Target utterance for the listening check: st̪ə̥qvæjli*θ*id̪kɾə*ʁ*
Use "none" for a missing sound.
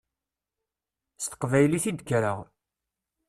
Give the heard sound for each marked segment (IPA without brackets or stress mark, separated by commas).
θ, ʁ